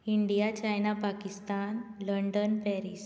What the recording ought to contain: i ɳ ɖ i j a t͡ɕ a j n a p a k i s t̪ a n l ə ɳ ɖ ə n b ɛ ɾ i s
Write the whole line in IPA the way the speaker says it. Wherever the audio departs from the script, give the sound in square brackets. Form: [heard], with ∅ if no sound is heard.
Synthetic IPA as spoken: i ɳ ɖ i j a t͡ɕ a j n a p a k i s t̪ a n l ə ɳ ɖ ə n [p] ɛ ɾ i s